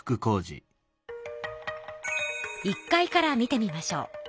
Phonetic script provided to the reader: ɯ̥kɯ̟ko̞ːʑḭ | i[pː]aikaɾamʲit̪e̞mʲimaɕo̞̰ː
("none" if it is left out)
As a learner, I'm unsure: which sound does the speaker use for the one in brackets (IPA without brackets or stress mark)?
kː